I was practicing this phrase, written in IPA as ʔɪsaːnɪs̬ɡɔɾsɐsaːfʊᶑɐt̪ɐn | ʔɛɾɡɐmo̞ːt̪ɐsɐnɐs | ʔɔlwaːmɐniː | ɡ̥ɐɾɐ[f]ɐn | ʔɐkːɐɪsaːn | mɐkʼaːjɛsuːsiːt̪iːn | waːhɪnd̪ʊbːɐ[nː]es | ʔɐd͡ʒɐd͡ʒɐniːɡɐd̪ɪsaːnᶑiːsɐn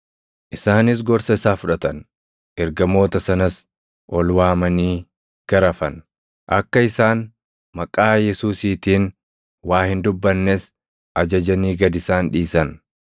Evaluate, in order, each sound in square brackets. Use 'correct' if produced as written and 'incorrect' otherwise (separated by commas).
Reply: correct, correct